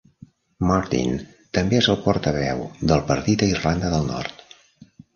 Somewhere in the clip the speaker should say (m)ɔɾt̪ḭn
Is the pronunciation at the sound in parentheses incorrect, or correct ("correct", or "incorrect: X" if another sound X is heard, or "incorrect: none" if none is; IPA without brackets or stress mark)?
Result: correct